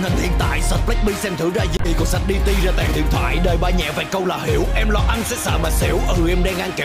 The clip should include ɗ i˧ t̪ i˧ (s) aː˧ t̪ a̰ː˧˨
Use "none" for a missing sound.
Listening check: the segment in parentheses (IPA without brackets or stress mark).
z